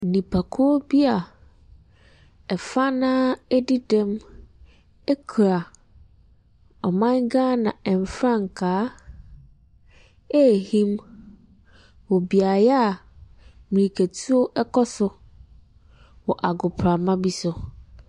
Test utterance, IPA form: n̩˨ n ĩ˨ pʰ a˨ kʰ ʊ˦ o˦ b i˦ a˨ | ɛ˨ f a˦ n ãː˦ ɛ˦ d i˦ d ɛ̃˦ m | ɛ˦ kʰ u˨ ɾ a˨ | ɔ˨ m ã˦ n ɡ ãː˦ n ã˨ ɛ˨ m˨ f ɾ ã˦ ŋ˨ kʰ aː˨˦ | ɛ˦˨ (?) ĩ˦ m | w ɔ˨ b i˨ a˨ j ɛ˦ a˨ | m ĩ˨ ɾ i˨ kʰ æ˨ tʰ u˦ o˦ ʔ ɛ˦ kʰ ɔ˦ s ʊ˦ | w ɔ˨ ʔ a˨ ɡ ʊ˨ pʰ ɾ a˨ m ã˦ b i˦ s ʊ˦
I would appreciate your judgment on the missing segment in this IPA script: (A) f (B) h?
B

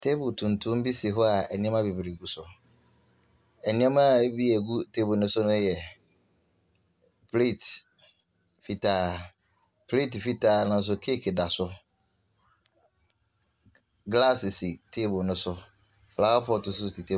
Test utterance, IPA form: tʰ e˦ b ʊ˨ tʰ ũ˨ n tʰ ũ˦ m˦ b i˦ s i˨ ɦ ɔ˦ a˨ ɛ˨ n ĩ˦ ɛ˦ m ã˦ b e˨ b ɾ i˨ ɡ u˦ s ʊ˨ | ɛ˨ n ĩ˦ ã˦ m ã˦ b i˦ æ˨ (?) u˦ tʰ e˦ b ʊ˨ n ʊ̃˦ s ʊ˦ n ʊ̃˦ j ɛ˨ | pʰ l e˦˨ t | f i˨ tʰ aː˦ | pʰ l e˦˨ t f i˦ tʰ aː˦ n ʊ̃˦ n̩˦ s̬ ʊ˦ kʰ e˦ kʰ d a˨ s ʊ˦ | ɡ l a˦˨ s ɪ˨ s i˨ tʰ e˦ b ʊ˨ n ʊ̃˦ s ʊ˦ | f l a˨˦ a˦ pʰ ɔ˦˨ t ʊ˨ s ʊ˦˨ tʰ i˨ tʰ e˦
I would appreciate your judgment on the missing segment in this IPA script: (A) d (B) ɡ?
B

